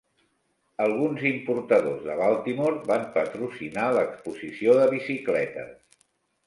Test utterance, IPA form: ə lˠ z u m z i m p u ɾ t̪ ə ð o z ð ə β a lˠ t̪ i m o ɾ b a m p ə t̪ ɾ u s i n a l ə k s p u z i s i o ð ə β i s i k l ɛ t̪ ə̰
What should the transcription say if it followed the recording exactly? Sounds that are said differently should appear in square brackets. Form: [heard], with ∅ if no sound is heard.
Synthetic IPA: ə lˠ [ɣ] u [n] z i m p u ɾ t̪ ə ð o z ð ə β a lˠ t̪ i m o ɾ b a m p ə t̪ ɾ u s i n a l ə k s p u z i s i o ð ə β i s i k l ɛ t̪ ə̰